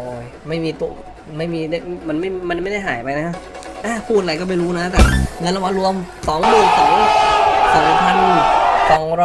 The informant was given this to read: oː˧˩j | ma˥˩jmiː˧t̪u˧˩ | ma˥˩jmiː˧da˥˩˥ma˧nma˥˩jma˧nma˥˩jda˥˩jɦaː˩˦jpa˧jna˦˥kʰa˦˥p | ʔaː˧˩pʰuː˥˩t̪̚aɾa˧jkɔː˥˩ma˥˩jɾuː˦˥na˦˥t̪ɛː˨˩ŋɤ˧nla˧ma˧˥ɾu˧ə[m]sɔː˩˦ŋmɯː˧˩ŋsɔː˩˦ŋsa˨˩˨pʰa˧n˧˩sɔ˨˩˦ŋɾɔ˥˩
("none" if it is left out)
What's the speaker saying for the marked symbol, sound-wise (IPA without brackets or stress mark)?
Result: m